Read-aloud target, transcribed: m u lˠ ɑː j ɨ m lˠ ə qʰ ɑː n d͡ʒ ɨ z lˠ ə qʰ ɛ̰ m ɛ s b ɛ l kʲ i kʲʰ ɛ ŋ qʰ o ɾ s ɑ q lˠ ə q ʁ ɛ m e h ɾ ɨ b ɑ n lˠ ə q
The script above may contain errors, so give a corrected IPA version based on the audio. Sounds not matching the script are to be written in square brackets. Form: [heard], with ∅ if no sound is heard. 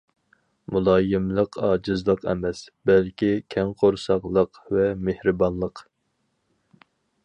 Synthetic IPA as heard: m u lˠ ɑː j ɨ m lˠ ə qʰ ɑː [∅] d͡ʒ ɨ z lˠ ə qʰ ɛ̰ m ɛ s b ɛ l kʲ i kʲʰ ɛ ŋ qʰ o ɾ s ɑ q lˠ ə q [v] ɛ m e h ɾ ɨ b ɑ n lˠ ə q

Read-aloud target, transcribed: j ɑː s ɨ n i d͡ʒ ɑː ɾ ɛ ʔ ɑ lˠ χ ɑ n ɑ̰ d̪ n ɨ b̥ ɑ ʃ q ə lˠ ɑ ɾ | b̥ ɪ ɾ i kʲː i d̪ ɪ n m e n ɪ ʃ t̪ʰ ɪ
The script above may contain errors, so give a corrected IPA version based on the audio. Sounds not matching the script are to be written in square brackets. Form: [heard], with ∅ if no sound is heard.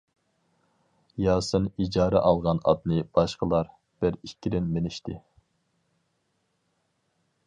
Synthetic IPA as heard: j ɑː s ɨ n i d͡ʒ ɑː ɾ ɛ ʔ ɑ lˠ [ʁ] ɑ n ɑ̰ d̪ n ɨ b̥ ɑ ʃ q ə lˠ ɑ ɾ | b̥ ɪ ɾ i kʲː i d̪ ɪ n m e n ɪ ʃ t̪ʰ ɪ

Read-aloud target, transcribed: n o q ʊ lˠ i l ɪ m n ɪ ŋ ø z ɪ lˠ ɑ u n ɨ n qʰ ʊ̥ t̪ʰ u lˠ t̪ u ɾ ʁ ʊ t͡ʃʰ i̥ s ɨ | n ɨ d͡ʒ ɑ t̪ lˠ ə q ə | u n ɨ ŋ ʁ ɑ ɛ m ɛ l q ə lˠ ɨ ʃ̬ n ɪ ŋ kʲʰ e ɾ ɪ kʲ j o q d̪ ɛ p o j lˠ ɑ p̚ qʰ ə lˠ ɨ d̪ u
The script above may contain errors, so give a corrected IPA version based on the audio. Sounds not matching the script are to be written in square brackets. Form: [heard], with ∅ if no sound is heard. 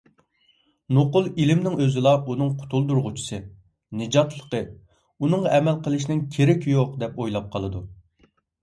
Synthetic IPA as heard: n o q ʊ lˠ i l ɪ m n ɪ ŋ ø z ɪ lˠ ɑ u n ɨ [ŋ] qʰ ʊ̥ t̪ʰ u lˠ [d̪] u ɾ ʁ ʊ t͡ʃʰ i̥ s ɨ | n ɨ d͡ʒ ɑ t̪ lˠ ə q ə | u n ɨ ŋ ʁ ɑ ɛ m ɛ l q ə lˠ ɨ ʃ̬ n ɪ ŋ kʲʰ e ɾ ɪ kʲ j o q d̪ ɛ p o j lˠ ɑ p̚ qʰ [ɑ] lˠ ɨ d̪ u

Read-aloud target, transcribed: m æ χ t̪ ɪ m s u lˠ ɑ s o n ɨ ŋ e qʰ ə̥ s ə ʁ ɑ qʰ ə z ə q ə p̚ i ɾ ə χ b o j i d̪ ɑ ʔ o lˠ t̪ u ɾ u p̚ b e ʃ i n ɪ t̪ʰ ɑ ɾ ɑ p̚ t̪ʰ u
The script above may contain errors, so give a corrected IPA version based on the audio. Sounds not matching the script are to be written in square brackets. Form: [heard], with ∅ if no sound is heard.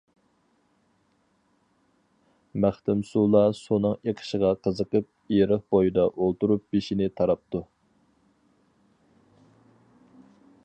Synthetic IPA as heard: m æ χ t̪ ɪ m s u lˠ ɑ s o n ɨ ŋ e qʰ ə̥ [ʃ] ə ʁ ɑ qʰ ə z ə q ə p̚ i ɾ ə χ b o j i d̪ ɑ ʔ o lˠ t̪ u ɾ u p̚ b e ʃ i n ɪ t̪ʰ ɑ ɾ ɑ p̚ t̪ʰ u

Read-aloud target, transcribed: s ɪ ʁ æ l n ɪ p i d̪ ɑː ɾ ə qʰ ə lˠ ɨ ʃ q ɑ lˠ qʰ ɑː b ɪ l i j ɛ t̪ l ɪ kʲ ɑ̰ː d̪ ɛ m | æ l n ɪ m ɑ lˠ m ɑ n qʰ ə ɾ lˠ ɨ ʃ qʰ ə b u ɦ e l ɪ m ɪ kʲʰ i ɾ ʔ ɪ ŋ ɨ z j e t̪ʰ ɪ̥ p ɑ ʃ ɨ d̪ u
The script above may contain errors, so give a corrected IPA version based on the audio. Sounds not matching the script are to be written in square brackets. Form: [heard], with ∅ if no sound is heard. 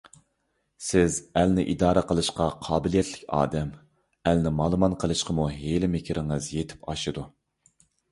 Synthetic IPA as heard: s ɪ [z] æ l n ɪ [ʔ] i d̪ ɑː ɾ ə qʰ ə lˠ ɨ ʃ q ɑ [∅] qʰ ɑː b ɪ l i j ɛ t̪ l ɪ kʲ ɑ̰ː d̪ ɛ m | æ l n ɪ m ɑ lˠ m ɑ n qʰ ə [∅] lˠ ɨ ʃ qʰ ə [m] u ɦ e l ɪ m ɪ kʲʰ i ɾ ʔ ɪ ŋ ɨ z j e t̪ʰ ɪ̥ p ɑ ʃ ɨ d̪ u

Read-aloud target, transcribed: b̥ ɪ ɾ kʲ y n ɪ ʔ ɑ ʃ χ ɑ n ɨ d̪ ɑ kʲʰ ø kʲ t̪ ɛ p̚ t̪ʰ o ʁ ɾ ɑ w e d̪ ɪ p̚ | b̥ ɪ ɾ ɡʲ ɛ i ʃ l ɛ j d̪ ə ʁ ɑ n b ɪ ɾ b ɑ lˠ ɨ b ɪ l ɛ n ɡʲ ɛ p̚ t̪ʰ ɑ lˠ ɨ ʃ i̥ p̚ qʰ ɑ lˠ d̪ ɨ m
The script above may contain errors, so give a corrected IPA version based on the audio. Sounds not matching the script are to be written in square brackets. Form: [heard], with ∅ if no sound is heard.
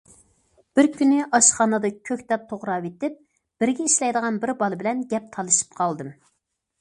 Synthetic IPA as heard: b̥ ɪ ɾ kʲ y n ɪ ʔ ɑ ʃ χ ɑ n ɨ d̪ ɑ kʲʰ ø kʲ t̪ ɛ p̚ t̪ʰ o ʁ ɾ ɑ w e [t̪] ɪ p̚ | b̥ ɪ ɾ ɡʲ ɛ i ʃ l ɛ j d̪ ə ʁ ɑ n b ɪ ɾ b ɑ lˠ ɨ b ɪ l ɛ n ɡʲ ɛ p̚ t̪ʰ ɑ lˠ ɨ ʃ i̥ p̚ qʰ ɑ lˠ d̪ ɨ m

